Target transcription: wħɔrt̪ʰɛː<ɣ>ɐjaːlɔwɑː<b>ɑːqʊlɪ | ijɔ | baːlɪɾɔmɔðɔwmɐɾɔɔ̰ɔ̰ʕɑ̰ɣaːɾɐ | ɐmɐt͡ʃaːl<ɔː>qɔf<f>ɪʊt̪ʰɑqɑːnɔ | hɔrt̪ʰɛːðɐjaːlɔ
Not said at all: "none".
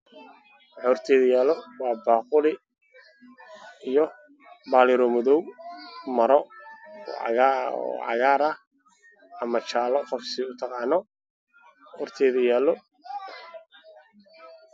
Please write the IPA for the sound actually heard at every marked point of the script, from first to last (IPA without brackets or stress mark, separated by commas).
ð, b, ɔ, s